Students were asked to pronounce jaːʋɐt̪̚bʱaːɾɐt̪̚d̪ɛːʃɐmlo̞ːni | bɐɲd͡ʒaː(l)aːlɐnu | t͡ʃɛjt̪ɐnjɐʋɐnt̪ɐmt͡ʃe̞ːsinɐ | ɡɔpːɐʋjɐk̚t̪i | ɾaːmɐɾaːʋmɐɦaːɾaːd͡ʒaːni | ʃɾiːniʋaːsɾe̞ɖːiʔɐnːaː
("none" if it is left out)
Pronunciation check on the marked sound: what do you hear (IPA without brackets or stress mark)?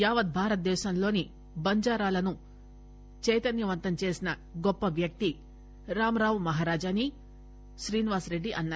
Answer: ɾ